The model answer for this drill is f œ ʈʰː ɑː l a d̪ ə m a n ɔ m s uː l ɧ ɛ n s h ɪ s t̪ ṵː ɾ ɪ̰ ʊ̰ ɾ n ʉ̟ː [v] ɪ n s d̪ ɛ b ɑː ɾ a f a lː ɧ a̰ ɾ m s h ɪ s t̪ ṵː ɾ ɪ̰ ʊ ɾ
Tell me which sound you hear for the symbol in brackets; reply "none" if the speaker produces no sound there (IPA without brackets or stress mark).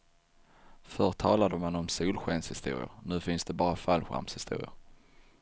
f